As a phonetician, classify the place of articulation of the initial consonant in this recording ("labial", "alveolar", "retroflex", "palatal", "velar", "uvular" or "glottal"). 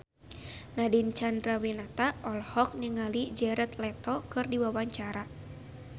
alveolar